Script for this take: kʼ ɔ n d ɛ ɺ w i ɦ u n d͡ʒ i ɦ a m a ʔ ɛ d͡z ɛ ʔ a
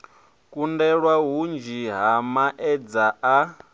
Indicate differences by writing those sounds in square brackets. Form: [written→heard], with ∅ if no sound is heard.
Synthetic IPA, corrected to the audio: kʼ [ɔ→u] n d ɛ ɺ w [i→a] ɦ u n d͡ʒ i ɦ a m a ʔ ɛ d͡z [ɛ→a] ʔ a